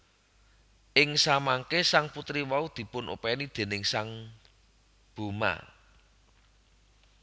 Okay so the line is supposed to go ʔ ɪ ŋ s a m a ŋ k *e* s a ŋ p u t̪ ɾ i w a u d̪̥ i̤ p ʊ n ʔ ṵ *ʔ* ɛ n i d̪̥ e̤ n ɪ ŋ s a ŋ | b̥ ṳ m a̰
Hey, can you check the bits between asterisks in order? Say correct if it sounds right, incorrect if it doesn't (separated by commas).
correct, incorrect